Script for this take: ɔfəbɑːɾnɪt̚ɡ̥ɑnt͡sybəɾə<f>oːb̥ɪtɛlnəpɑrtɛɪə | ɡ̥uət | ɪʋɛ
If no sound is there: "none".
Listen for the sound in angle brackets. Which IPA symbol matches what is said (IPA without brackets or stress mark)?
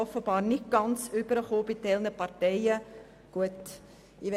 χ